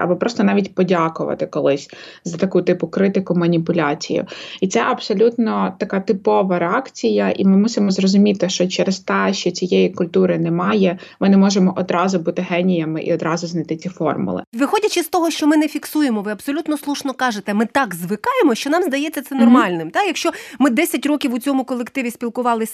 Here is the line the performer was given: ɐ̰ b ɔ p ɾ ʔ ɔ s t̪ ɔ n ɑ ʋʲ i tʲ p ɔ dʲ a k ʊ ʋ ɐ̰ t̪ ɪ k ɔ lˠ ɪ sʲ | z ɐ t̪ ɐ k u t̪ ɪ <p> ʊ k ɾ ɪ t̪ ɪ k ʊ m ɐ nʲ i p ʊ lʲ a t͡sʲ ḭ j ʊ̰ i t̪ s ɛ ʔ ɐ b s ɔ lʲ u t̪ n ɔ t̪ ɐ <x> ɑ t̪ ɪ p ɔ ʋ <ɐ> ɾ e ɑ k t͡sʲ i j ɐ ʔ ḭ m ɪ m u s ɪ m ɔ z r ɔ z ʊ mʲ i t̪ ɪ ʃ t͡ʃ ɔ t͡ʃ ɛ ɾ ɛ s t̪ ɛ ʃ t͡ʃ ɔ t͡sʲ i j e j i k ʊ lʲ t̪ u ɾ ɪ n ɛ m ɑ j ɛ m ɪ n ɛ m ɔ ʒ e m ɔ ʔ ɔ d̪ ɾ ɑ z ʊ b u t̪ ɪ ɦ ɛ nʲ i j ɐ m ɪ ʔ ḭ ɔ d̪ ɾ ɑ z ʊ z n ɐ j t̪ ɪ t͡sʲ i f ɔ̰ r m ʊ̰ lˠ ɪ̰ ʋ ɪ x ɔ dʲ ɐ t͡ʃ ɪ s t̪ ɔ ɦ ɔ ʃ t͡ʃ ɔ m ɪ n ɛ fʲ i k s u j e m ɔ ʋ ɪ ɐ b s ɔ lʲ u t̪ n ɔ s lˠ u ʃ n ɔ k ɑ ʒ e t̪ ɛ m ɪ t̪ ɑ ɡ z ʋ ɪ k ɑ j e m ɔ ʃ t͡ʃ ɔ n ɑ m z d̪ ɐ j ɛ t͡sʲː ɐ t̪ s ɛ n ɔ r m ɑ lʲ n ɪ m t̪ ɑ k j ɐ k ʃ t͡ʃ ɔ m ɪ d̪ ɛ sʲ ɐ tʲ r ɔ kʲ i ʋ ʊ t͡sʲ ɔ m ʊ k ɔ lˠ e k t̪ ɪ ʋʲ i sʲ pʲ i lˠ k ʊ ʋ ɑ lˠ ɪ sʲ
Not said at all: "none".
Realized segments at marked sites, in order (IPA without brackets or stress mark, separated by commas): p, k, ɐ